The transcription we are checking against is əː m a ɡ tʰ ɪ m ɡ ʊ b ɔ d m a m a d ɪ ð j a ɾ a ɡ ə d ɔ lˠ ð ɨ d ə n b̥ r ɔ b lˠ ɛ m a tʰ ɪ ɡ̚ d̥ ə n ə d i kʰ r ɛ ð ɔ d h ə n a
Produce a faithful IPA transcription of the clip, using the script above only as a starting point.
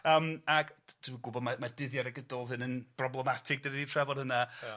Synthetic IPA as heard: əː m a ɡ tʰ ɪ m ɡ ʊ b ɔ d m a m a d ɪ ð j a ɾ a ɡ ə d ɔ lˠ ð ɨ n ə n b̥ r ɔ b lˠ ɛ m a tʰ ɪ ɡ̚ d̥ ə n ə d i tʰ r ɛ v ɔ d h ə n a